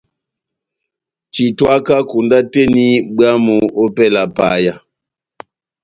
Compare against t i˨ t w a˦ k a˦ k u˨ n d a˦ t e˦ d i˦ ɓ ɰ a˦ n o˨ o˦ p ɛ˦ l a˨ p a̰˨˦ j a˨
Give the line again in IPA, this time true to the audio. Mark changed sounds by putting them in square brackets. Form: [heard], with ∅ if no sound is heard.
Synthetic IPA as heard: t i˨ t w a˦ k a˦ k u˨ n d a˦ t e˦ [n] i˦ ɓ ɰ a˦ [m] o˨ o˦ p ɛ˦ l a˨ p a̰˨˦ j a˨